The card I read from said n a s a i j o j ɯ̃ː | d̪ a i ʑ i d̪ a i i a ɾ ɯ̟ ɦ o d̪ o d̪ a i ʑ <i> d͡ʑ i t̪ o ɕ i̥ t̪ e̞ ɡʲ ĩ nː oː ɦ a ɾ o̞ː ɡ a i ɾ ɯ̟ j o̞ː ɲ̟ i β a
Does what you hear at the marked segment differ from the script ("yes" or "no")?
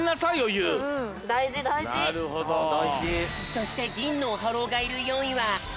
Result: no